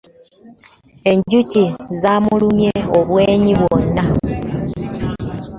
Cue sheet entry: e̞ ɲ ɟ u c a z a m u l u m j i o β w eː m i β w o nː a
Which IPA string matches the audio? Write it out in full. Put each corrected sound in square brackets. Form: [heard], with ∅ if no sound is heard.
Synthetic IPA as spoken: e̞ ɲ ɟ u c [i] z a m u l u m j [e] o β w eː [ɲ] i β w o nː a

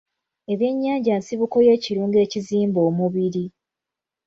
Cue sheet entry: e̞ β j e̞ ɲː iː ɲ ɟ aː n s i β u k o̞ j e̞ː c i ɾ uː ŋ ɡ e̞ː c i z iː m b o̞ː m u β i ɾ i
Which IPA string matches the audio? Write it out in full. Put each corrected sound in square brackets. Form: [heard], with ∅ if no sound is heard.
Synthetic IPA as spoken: e̞ β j e̞ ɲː [aː] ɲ ɟ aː n s i β u k o̞ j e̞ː c i ɾ uː ŋ ɡ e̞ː c i z iː m b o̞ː m u β i ɾ i

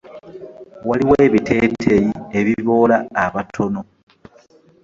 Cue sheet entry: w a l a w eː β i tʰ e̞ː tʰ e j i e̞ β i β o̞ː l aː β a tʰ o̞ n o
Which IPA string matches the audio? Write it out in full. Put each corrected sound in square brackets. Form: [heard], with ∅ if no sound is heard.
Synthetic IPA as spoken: w a l [i] w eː β i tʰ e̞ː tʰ e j i e̞ β i β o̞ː l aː β a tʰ o̞ n o

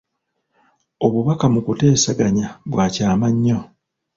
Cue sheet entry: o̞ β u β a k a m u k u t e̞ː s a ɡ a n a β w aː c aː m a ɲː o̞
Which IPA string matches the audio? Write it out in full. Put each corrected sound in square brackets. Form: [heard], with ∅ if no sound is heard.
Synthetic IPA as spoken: o̞ β u β a k a m u k u t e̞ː s a ɡ a [ɲ] a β w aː c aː m a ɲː o̞

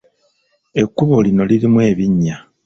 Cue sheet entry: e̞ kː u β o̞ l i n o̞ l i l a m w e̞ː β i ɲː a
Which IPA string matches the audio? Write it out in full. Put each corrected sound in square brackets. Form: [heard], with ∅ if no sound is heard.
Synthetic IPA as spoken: e̞ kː u β o̞ l i n o̞ l i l [i] m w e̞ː β i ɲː a

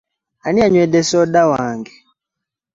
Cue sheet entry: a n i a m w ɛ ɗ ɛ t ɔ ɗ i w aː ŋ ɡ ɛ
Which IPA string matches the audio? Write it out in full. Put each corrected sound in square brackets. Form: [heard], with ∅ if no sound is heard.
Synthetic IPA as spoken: a n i a [ɲ] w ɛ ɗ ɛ [s] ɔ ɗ [a] w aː ŋ ɡ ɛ

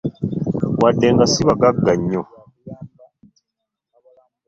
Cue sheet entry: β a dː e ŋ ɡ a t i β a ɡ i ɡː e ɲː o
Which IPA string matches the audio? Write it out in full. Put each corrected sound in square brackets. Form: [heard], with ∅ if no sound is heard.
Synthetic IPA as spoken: [w] a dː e ŋ ɡ a [s] i β a ɡ [a] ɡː [a] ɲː o

